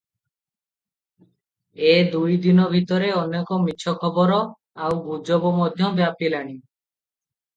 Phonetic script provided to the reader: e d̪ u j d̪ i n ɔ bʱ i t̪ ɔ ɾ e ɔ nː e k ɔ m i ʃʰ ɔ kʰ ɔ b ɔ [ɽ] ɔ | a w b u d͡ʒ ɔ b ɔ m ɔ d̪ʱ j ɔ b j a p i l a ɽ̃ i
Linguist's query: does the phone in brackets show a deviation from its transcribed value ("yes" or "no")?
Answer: yes